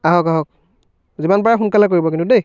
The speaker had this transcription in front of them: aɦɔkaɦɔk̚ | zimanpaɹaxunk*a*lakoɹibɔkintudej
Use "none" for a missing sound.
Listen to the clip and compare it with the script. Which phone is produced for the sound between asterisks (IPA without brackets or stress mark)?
a